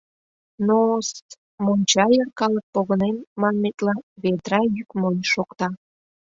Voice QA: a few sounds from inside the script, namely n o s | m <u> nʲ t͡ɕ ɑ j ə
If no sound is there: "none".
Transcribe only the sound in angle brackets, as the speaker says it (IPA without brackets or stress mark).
o